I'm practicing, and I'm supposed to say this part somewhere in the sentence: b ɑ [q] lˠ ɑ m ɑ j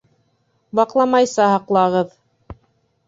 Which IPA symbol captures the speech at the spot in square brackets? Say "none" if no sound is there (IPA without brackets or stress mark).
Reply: q